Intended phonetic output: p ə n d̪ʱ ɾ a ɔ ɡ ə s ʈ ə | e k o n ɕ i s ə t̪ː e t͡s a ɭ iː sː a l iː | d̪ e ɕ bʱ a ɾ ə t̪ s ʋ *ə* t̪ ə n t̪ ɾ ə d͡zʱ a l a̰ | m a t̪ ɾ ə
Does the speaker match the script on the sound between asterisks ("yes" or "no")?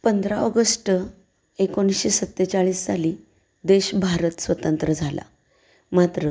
yes